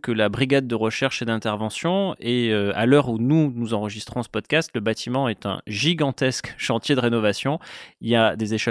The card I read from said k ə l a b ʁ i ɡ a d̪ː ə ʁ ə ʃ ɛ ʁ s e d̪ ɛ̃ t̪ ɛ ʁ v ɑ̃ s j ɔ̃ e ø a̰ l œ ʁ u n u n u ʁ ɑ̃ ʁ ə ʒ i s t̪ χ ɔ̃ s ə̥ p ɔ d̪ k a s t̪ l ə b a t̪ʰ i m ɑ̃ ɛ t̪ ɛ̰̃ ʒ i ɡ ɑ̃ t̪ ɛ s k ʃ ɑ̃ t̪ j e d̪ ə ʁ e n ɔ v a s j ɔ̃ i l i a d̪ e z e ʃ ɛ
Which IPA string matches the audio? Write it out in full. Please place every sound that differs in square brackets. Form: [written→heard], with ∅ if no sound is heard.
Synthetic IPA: k ə l a b ʁ i ɡ a d̪ː ə ʁ ə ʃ ɛ ʁ [s→ʃ] e d̪ ɛ̃ t̪ ɛ ʁ v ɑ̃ s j ɔ̃ e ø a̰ l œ ʁ u n u n u [ʁ→z] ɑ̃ ʁ ə ʒ i s t̪ χ ɔ̃ s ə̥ p ɔ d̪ k a s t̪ l ə b a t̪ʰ i m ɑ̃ ɛ t̪ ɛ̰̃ ʒ i ɡ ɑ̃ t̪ ɛ s k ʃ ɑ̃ t̪ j e d̪ ə ʁ e n ɔ v a s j ɔ̃ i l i a d̪ e z e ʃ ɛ